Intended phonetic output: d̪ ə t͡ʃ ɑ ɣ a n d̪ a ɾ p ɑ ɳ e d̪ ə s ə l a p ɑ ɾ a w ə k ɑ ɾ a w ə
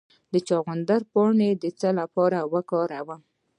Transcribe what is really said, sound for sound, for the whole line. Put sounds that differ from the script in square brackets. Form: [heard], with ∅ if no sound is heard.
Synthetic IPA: d̪ ə t͡ʃ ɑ ɣ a n d̪ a ɾ p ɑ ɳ e d̪ ə [t͡s] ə l a p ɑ ɾ a w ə k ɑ ɾ a w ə